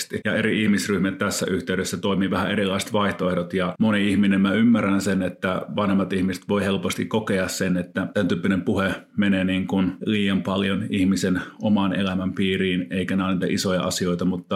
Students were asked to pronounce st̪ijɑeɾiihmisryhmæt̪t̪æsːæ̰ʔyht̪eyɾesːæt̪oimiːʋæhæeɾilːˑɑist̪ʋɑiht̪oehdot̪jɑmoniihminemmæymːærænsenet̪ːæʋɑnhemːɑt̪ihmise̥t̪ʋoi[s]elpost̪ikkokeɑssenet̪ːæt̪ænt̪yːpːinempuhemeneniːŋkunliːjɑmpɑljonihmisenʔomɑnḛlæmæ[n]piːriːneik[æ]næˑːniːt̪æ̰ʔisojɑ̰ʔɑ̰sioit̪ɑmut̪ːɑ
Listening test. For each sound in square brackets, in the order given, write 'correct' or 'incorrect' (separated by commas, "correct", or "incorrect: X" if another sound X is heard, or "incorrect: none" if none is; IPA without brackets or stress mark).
incorrect: h, incorrect: m, correct